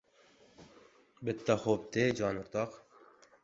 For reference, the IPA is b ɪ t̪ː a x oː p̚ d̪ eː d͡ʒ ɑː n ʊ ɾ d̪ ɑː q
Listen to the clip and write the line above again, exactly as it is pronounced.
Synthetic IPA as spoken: b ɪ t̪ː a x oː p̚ t̪ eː d͡ʒ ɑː n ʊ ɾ t̪ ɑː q